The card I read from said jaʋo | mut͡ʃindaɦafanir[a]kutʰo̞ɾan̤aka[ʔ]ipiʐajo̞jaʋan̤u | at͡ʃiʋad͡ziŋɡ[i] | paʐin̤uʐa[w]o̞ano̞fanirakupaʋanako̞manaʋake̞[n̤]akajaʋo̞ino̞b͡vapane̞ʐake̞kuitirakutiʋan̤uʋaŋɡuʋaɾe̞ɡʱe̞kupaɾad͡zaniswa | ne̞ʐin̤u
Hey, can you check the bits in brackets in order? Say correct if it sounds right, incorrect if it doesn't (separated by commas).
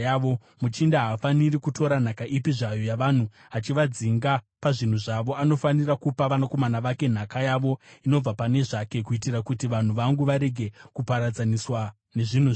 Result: incorrect, correct, incorrect, incorrect, correct